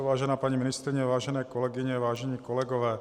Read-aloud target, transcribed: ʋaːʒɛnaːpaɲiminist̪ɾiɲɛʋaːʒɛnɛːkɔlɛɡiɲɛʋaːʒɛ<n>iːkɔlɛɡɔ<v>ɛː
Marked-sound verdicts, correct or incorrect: incorrect: ɲ, incorrect: ʋ

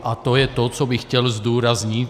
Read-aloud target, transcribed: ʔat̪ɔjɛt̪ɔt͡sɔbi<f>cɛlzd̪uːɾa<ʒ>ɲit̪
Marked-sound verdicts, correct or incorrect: incorrect: x, incorrect: z

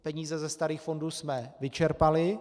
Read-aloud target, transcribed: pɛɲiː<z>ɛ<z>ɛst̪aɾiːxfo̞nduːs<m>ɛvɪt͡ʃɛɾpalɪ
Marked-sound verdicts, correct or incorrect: correct, correct, correct

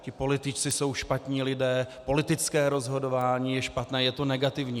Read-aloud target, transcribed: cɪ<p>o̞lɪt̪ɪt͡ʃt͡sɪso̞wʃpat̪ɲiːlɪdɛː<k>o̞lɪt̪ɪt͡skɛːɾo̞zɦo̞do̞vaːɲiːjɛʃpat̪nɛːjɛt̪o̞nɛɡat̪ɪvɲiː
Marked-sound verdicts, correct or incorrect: correct, incorrect: p

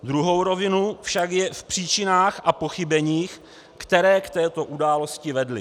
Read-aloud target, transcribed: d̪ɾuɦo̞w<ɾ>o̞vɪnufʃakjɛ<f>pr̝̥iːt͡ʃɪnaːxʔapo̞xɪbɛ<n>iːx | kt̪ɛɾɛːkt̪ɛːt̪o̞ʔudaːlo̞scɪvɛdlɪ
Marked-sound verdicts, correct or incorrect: correct, correct, incorrect: ɲ

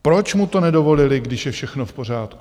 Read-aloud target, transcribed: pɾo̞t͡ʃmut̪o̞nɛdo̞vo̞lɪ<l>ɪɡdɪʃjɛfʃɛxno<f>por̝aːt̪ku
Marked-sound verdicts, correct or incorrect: correct, correct

